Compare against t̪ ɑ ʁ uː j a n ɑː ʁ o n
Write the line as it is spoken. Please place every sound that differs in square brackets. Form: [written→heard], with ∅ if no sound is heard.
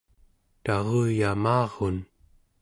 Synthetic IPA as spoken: t̪ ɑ ʁ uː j a [n→m] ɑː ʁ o n